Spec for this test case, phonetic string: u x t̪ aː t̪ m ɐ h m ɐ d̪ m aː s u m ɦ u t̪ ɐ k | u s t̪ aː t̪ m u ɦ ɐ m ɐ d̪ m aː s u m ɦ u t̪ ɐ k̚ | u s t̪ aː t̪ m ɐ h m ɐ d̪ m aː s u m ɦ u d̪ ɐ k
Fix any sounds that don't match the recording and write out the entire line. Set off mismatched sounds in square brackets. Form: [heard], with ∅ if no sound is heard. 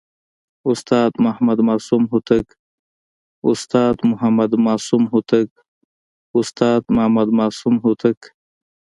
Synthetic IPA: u [s] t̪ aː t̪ m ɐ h m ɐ d̪ m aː s u m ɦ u t̪ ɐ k | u s t̪ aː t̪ m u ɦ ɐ m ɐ d̪ m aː s u m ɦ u t̪ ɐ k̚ | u s t̪ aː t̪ m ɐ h m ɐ d̪ m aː s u m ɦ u [t̪] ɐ k